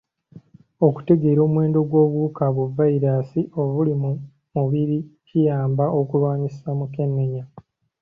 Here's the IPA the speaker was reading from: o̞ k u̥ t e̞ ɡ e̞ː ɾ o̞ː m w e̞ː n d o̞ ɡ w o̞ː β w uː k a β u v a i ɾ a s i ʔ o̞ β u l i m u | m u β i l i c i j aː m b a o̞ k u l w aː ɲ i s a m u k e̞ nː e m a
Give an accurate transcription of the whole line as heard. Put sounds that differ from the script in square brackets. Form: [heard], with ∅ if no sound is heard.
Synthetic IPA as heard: o̞ k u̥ t e̞ ɡ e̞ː ɾ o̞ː m w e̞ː n d o̞ ɡ w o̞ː β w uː k a β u v a i ɾ a s i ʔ o̞ β u l i m u | m u β i [ɾ] i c i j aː m b a o̞ k u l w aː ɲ i s a m u k e̞ nː e [ɲ] a